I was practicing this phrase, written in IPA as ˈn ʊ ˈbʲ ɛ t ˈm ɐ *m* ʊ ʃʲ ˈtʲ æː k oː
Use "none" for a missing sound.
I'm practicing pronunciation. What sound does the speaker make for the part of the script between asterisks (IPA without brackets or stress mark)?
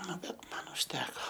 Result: n